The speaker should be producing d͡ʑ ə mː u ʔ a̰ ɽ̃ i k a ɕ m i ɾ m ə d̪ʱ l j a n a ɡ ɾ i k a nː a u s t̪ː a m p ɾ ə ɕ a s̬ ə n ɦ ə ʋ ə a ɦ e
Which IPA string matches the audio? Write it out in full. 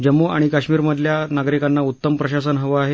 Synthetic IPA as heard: d͡ʑ ə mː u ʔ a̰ ɽ̃ i k a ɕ m iː ɾ m ə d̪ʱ l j a n a ɡ ɾ i k a nː a u t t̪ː ə m p ɾ ə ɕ a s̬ ə n ɦ ə ʋ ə a ɦ e